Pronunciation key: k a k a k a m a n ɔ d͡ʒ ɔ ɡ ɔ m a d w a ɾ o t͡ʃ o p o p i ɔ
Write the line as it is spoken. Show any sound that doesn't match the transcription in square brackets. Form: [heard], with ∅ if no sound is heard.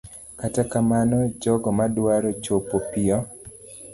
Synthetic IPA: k a [t] a k a m a n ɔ d͡ʒ ɔ ɡ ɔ m a d w a ɾ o t͡ʃ o p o p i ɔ